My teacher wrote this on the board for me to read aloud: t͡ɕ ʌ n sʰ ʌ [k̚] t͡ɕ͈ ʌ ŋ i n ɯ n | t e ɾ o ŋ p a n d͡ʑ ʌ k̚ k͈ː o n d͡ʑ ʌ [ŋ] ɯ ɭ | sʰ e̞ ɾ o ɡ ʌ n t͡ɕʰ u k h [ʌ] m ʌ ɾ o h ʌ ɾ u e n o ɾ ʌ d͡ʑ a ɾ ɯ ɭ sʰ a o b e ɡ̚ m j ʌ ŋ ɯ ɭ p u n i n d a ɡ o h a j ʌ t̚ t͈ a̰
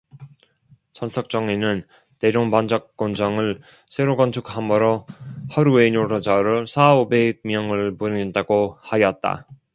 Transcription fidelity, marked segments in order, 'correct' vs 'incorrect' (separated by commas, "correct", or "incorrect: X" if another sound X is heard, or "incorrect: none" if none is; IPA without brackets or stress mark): correct, correct, incorrect: a